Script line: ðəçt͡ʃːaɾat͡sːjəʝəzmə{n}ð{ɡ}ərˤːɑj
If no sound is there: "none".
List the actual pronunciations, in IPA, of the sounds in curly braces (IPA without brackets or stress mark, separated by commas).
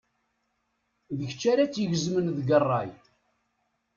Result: n, ɡ